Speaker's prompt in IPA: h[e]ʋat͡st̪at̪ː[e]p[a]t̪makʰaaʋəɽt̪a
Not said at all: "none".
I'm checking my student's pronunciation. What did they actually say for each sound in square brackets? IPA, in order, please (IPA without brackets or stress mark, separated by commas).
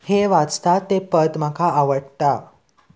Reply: e, e, ə